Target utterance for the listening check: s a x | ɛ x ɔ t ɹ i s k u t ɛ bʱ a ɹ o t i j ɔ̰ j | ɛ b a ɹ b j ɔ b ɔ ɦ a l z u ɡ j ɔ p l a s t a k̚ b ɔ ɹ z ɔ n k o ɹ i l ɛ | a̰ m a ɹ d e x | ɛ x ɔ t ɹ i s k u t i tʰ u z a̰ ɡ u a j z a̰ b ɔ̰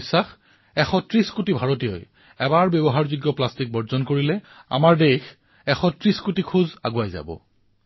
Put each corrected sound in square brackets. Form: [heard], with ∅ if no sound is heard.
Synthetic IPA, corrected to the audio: s a x | ɛ x ɔ t ɹ i s k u t [i] bʱ a ɹ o t i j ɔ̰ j | ɛ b a ɹ b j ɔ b ɔ ɦ a [ɹ] z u ɡ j ɔ p l a s t [i] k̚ b ɔ ɹ z ɔ n k o ɹ i l ɛ | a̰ m a ɹ d e x | ɛ x ɔ t ɹ i s k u t i [kʰ] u z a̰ ɡ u a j z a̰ b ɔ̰